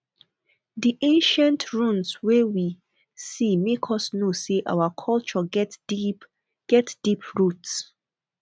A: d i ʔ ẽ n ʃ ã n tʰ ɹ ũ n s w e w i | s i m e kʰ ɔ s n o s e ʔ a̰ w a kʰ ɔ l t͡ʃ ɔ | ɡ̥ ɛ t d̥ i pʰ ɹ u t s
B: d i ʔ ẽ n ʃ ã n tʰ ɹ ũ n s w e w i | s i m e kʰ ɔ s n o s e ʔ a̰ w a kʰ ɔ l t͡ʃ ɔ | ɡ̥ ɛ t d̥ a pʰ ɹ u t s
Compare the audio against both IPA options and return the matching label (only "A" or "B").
A